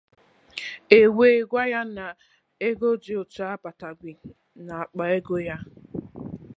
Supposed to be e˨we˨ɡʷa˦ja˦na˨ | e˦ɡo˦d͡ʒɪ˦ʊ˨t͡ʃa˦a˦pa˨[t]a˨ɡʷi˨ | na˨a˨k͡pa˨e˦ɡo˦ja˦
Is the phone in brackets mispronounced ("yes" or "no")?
no